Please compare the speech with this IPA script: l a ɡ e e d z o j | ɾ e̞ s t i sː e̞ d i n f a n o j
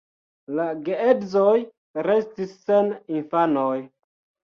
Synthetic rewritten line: l a ɡ e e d z o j | ɾ e̞ s t i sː e̞ n i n f a n o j